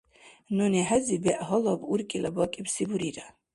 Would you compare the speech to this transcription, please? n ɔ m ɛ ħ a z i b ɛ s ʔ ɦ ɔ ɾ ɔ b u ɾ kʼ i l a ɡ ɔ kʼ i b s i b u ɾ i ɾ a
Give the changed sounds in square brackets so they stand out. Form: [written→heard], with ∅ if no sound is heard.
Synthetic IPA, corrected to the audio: n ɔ [m→n] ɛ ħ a z i b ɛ [s→∅] ʔ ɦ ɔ [ɾ→l] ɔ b u ɾ kʼ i l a [ɡ→b] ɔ kʼ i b s i b u ɾ i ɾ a